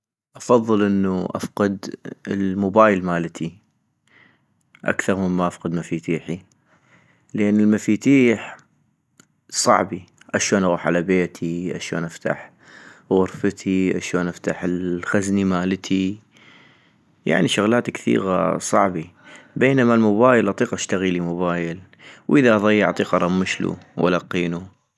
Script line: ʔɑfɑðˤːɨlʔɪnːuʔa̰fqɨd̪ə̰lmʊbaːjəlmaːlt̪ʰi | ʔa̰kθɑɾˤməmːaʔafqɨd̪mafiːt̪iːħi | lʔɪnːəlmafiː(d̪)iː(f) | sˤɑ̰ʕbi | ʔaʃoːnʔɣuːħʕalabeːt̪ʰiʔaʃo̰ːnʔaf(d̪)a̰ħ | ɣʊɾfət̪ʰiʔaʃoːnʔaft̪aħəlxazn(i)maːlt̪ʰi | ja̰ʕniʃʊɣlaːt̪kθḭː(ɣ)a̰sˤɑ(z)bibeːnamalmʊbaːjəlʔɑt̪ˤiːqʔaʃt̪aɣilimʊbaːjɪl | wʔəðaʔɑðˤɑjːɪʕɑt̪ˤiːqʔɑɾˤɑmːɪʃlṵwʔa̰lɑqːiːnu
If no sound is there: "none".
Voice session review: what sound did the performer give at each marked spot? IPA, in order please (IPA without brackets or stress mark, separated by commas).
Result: t̪, ħ, t̪, i, ɣ, ʕ